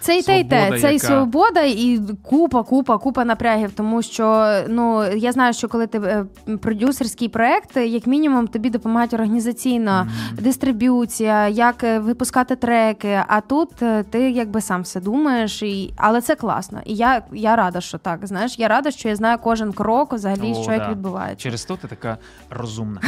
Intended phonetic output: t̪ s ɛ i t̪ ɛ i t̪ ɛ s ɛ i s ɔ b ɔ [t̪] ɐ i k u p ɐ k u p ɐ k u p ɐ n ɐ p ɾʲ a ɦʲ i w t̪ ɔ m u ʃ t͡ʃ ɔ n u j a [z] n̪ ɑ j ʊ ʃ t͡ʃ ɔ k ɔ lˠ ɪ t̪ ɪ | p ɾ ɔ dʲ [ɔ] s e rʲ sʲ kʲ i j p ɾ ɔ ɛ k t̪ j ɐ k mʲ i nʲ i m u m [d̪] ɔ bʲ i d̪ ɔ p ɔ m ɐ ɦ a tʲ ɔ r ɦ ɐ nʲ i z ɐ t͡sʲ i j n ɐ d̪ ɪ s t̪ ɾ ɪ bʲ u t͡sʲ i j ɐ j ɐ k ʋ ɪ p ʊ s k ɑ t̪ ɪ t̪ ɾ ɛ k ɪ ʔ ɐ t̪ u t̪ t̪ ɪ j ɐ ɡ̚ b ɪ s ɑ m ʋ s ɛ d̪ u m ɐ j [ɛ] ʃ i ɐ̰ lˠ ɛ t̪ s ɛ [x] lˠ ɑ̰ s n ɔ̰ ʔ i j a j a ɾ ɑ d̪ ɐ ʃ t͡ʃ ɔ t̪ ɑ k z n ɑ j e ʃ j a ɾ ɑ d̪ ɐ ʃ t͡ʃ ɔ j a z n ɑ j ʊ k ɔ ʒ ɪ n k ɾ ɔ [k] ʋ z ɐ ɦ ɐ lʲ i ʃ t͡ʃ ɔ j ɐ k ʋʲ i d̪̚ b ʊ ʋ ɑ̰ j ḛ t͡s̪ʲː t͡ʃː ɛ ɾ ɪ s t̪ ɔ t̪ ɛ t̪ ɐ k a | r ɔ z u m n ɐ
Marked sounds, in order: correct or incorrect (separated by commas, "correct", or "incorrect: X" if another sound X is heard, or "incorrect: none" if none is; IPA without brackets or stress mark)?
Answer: incorrect: d̪, correct, incorrect: u, incorrect: t̪, incorrect: e, incorrect: k, correct